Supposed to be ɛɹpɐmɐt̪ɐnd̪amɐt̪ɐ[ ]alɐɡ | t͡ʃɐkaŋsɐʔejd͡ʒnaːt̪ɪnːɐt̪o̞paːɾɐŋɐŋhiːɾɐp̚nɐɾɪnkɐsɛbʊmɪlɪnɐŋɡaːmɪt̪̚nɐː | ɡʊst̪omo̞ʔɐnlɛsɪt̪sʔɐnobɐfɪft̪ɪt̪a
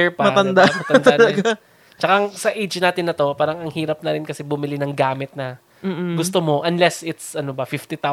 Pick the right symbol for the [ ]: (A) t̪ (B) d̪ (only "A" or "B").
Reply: B